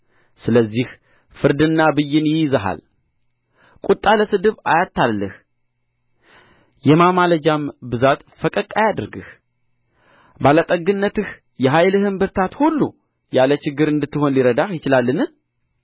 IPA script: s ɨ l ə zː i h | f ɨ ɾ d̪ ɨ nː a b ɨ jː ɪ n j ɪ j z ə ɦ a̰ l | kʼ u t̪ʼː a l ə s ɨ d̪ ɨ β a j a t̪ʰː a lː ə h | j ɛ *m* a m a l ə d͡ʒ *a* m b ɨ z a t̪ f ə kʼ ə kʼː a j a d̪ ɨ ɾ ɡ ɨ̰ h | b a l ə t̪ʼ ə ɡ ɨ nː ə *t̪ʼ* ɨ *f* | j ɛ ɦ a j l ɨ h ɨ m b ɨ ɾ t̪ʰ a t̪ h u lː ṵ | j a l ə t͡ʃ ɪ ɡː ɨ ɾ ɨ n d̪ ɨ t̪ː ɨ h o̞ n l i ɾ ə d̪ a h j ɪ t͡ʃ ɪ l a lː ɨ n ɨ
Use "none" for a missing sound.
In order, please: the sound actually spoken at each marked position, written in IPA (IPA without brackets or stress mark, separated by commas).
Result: m, a, t̪, h